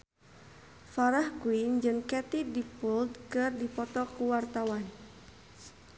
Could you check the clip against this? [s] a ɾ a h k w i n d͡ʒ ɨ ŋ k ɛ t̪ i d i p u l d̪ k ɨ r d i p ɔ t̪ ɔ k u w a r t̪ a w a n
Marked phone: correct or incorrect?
incorrect